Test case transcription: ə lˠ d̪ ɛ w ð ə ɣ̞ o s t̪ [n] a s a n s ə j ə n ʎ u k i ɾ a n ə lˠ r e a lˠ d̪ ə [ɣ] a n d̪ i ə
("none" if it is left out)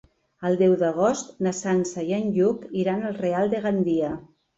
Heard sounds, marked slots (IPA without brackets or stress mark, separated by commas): n, ɣ